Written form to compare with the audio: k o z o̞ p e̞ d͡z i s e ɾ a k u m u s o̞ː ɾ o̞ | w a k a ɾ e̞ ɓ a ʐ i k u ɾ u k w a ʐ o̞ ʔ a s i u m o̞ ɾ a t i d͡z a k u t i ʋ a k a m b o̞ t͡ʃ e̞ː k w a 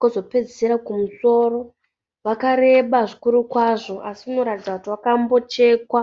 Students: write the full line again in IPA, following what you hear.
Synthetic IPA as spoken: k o z o̞ p e̞ d͡z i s e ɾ a k u m u s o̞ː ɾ o̞ | ʋ a k a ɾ e̞ ɓ a ʐ i k u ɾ u k w a ʐ o̞ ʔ a s i u n o̞ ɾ a t i d͡z a k u t i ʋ a k a m b o̞ t͡ʃ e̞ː k w a

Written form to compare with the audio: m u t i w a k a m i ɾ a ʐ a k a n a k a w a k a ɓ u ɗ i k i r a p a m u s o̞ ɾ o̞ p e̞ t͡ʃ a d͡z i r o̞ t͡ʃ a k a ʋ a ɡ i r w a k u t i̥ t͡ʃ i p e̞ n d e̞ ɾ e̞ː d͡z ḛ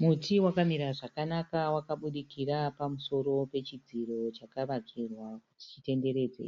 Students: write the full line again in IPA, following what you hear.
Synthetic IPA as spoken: m u t i w a k a m i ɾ a ʐ a k a n a k a w a k a ɓ u ɗ i k i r a p a m u s o̞ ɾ o̞ p e̞ t͡ʃ i d͡z i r o̞ t͡ʃ a k a ʋ a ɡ i r w a k u t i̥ t͡ʃ i t e̞ n d e̞ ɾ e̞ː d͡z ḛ

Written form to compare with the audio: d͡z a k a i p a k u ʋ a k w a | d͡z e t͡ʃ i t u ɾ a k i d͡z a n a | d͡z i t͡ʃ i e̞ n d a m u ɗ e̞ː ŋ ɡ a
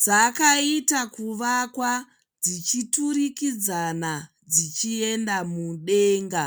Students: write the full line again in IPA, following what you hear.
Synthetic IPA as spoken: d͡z a k a i t a k u ʋ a k w a | d͡z i t͡ʃ i t u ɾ i k i d͡z a n a | d͡z i t͡ʃ i e̞ n d a m u ɗ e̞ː ŋ ɡ a

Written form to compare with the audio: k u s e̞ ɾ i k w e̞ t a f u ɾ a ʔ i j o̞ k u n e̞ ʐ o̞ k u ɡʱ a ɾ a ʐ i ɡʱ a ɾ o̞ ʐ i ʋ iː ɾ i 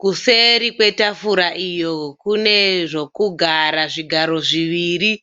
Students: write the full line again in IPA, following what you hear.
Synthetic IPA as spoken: k u s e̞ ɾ i k w e̞ t a f u ɾ a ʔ i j o̞ k u n e̞ ʐ o̞ k u ɡʱ a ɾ a ʐ i ɡʱ a ɾ o̞ ʐ i ʋ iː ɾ i

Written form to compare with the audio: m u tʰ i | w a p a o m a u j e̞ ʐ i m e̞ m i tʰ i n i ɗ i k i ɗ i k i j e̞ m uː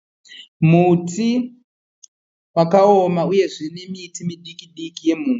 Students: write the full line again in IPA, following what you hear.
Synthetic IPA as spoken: m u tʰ i | w a k a o m a u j e̞ ʐ i n e̞ m i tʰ i m i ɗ i k i ɗ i k i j e̞ m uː

